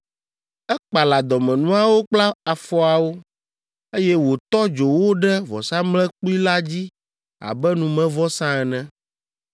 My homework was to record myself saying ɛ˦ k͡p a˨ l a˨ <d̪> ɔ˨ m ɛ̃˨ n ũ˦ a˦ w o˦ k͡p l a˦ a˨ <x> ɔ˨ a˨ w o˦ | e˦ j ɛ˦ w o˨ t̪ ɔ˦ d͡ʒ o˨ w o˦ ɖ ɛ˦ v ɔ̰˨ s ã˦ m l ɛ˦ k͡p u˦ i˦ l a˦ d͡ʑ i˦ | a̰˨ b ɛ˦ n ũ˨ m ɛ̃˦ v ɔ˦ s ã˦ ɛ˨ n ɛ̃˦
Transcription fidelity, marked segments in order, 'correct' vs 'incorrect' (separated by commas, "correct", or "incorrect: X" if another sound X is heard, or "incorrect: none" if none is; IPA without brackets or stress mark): correct, incorrect: f